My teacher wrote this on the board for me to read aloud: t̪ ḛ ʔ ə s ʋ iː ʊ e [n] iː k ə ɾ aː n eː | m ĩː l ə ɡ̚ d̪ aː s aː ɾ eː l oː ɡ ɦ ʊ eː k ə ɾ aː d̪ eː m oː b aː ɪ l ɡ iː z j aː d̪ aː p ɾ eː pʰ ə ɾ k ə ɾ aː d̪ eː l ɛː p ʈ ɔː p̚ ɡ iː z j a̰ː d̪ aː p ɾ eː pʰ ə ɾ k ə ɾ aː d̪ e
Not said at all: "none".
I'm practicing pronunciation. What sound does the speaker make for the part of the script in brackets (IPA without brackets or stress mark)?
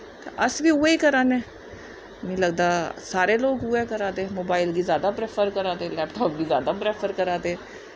none